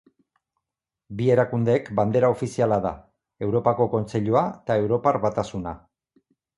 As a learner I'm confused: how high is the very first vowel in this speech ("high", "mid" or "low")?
high